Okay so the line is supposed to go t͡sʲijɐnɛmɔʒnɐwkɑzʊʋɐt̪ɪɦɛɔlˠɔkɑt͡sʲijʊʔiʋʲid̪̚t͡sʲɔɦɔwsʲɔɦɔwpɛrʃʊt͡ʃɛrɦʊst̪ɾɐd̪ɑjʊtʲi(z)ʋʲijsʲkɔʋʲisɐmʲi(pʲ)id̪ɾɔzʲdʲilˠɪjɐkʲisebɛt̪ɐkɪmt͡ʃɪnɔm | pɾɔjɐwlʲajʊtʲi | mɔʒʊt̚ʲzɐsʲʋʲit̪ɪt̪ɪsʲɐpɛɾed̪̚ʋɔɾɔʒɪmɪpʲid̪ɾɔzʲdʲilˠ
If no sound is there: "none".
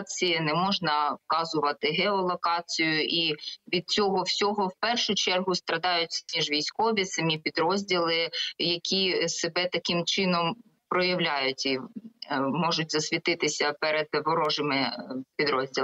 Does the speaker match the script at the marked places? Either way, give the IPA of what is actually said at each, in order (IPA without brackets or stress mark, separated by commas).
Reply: ʒ, pʲ